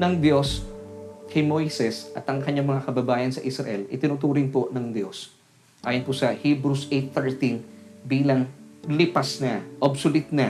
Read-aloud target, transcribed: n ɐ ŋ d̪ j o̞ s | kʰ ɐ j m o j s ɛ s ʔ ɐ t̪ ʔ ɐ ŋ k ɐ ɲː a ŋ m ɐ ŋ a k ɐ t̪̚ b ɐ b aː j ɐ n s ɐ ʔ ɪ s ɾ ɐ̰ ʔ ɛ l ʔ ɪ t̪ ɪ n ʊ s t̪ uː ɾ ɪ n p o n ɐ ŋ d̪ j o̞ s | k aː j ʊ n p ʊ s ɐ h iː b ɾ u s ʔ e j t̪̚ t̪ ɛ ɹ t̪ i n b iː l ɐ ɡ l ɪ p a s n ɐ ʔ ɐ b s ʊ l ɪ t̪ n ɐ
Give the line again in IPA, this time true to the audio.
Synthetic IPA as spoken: n ɐ ŋ d̪ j o̞ s | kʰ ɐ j m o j s ɛ s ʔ ɐ t̪ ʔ ɐ ŋ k ɐ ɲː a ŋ m ɐ ŋ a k ɐ b ɐ b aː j ɐ n s ɐ ʔ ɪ s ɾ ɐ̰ ʔ ɛ l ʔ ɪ t̪ ɪ n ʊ t̪ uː ɾ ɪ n p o n ɐ ŋ d̪ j o̞ s | ʔ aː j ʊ n p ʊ s ɐ h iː b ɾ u s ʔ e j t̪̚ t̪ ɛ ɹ t̪ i n b iː l ɐ ŋ l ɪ p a s n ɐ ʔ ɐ b s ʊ l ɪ t̪ n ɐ